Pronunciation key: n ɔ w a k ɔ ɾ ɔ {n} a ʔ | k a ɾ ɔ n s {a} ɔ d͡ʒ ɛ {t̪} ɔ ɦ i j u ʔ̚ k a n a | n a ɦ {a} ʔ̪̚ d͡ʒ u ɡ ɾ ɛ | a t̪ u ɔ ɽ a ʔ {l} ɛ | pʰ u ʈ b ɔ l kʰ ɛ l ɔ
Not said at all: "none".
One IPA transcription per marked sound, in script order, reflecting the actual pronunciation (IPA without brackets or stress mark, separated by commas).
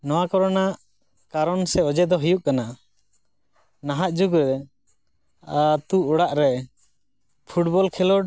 n, ɛ, d̪, a, ɾ